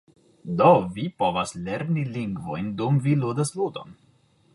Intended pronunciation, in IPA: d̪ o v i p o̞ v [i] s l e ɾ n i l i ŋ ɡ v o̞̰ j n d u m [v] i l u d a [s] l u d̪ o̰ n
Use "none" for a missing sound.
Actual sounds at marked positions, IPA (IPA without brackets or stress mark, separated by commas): a, v, s